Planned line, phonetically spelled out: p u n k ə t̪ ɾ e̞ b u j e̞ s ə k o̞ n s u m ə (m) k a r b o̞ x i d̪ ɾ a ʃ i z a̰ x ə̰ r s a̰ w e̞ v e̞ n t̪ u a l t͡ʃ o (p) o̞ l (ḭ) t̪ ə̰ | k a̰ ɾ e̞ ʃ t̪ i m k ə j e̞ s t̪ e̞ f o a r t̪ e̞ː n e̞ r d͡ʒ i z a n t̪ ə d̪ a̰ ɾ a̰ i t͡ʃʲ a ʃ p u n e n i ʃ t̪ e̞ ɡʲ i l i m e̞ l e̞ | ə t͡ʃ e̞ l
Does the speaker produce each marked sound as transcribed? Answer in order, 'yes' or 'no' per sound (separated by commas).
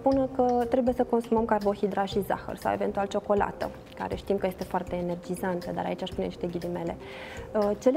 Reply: yes, no, no